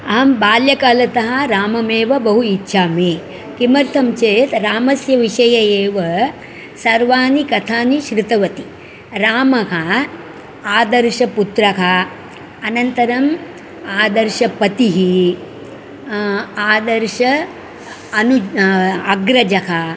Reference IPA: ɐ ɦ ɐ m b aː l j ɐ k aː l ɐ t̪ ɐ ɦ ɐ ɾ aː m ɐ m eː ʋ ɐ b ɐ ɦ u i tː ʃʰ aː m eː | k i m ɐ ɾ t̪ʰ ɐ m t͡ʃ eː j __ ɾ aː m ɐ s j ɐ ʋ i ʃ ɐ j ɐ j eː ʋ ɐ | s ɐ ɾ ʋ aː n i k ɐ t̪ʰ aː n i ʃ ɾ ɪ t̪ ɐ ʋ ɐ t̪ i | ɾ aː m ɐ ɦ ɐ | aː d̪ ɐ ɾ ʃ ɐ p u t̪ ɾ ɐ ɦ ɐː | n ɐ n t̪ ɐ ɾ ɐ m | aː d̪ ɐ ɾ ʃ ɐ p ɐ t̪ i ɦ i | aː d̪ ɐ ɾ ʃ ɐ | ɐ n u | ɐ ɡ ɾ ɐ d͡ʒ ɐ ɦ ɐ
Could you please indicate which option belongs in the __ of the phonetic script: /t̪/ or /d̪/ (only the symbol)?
t̪